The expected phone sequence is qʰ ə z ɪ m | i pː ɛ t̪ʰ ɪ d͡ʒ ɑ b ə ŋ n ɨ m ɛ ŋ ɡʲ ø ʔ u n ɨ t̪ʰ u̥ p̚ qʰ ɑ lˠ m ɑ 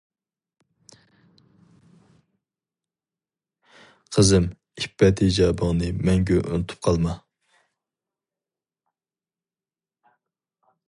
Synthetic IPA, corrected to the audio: qʰ ə z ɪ m | i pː ɛ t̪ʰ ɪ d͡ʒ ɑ b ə ŋ n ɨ m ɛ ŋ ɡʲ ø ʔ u n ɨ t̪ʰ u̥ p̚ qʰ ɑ lˠ m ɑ